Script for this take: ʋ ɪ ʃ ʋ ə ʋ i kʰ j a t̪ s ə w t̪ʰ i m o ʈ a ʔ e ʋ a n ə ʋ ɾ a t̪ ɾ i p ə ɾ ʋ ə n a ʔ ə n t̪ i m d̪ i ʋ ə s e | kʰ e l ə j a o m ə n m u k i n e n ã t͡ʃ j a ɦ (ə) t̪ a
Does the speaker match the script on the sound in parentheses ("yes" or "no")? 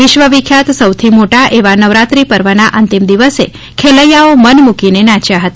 yes